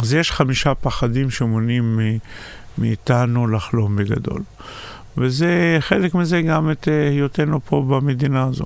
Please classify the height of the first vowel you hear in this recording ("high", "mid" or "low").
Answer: low